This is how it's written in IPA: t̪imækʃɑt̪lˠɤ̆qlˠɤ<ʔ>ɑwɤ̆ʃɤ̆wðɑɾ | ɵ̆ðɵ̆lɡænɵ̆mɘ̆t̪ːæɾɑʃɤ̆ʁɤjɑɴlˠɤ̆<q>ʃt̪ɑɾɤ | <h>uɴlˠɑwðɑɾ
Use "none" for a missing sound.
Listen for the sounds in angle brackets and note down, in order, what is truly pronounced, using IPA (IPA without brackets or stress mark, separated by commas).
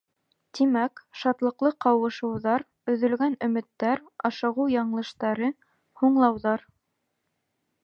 q, none, h